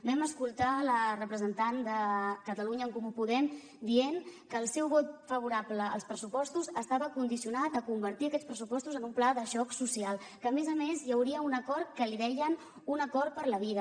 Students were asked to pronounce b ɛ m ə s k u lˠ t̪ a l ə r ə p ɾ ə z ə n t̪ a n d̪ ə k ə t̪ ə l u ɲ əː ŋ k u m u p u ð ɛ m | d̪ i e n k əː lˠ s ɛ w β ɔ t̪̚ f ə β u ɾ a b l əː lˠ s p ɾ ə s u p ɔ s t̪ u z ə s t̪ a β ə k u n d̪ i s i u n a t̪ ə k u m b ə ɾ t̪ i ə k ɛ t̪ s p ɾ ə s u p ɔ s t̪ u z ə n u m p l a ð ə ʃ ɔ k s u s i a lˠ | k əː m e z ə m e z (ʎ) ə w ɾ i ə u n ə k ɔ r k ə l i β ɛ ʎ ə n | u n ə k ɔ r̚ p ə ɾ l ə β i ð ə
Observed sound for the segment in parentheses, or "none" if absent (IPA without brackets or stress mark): j